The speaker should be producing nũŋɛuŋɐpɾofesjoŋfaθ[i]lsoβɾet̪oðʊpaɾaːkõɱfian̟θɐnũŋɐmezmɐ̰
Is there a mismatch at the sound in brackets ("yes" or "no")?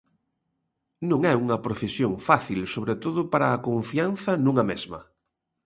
no